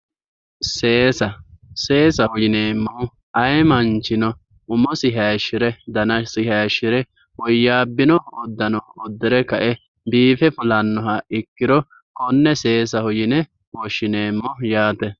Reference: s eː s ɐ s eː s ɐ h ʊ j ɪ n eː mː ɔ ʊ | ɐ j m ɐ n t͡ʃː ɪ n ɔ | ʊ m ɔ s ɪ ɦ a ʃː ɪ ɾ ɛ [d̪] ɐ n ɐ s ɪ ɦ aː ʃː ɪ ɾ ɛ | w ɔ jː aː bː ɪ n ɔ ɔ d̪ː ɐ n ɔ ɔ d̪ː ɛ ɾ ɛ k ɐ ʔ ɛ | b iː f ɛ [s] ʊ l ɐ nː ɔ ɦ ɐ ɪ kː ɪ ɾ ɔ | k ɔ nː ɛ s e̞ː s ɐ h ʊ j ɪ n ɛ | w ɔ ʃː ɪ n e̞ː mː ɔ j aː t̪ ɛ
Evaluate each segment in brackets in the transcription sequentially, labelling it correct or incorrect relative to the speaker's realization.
correct, incorrect

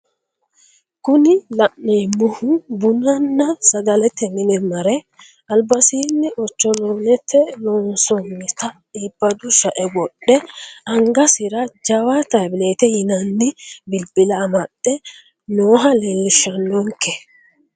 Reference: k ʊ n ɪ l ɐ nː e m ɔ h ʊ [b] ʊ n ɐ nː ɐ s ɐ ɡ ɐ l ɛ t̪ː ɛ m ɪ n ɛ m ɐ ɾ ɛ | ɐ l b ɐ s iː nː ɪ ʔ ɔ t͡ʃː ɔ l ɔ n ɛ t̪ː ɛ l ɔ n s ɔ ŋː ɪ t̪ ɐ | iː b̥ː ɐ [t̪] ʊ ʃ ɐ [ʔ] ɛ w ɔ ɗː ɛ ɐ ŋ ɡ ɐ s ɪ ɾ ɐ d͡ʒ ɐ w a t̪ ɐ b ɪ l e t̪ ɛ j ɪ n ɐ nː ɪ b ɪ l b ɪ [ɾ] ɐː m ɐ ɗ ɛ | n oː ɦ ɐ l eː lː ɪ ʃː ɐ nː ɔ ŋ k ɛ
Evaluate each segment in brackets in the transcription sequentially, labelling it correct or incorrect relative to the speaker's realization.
correct, incorrect, correct, incorrect

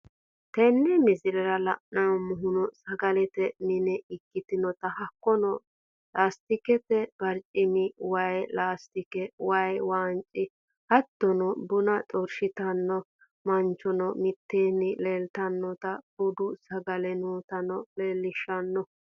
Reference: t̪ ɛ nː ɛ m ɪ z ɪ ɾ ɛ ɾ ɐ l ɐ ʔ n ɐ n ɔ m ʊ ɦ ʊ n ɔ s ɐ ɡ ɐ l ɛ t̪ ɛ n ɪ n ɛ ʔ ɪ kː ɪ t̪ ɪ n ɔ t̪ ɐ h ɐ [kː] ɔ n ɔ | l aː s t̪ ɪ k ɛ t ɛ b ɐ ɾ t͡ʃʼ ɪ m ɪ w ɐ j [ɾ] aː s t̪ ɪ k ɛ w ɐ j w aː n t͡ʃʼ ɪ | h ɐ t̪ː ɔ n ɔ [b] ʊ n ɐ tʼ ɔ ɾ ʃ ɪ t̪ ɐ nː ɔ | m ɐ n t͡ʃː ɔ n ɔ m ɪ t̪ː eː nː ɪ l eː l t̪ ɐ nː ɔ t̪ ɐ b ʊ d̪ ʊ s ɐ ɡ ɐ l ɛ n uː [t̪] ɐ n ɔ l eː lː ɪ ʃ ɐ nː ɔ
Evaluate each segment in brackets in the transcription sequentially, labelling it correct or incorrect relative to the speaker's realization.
correct, incorrect, correct, correct

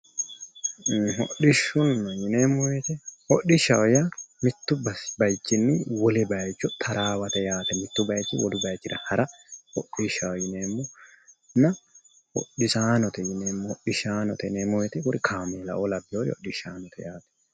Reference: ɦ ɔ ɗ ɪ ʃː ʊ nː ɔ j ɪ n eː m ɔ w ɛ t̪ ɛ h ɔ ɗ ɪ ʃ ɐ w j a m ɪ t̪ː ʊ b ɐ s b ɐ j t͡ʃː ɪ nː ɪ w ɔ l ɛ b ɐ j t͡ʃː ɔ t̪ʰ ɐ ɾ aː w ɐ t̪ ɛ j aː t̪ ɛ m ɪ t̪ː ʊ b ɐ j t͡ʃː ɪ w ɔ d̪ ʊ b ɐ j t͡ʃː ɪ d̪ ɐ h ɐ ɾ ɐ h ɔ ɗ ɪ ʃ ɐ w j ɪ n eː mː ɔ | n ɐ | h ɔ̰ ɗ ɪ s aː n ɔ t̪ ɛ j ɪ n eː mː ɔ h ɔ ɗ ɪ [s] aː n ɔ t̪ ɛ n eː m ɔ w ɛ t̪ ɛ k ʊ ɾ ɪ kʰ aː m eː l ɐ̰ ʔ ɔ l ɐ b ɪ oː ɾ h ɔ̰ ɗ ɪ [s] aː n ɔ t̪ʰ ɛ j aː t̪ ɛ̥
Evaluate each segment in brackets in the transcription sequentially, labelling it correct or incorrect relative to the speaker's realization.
incorrect, incorrect

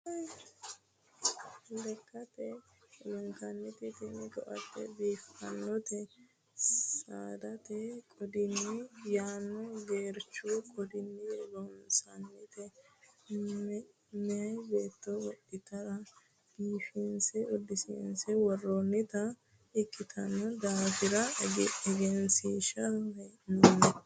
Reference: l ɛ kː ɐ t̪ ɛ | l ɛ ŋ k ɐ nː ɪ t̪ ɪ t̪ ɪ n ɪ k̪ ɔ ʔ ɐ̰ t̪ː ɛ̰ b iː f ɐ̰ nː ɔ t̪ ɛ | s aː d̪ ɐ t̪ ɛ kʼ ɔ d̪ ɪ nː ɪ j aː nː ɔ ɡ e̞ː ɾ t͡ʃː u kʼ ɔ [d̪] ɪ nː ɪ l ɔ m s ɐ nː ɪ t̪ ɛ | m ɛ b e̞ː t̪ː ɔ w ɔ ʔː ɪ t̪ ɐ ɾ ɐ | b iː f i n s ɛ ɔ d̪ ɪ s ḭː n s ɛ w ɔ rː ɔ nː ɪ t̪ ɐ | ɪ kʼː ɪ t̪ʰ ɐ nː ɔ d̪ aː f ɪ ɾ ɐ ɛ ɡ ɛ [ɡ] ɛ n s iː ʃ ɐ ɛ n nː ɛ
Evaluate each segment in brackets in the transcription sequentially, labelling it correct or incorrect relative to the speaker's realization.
correct, correct

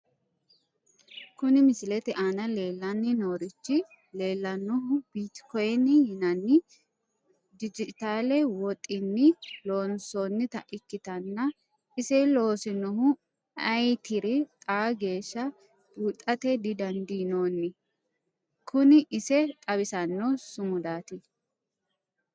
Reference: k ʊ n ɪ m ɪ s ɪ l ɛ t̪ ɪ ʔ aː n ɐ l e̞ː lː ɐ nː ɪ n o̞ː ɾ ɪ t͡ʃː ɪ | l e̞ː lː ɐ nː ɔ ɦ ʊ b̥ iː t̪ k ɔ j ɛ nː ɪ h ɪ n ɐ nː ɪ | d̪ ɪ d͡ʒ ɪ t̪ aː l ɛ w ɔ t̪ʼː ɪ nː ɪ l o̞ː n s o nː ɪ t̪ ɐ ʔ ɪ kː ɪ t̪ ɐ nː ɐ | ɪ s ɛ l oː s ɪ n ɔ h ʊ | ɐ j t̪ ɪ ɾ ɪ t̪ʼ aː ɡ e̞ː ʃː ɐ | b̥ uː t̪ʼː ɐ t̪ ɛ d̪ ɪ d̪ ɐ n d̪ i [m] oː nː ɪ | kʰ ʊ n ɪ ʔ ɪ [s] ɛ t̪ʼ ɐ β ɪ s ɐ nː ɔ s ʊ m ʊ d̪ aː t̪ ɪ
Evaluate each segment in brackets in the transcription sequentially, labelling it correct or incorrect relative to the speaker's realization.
incorrect, correct

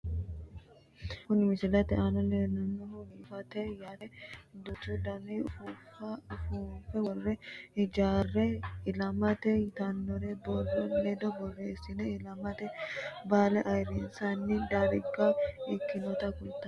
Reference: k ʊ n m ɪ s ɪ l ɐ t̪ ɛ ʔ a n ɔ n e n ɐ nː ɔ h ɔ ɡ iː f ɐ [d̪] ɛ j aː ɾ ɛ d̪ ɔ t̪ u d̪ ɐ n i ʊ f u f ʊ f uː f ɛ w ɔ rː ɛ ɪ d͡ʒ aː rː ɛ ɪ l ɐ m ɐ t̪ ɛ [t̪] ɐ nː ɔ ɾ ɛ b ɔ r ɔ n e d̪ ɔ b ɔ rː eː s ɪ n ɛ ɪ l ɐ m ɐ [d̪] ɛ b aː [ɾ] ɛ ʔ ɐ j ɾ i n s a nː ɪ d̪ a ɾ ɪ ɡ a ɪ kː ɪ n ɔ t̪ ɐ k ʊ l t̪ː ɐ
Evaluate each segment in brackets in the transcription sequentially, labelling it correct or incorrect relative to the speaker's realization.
incorrect, correct, incorrect, incorrect

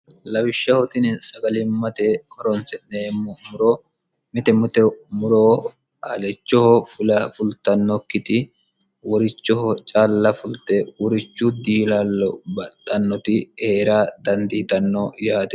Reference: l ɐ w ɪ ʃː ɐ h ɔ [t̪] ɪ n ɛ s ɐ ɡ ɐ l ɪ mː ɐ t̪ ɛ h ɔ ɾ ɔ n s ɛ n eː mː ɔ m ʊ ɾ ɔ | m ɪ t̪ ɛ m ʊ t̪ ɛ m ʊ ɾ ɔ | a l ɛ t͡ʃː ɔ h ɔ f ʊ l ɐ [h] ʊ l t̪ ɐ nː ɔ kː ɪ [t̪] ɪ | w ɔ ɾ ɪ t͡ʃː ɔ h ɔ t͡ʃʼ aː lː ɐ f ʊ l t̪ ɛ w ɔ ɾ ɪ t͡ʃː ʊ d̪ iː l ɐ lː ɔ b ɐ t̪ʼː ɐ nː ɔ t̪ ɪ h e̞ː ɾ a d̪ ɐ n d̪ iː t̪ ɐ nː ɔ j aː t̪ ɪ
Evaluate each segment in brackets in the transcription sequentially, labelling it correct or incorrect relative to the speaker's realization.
correct, incorrect, correct

